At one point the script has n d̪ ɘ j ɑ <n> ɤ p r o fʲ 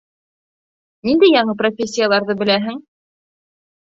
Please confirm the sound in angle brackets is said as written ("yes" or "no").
no